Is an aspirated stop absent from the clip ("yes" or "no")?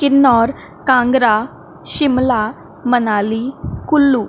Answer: yes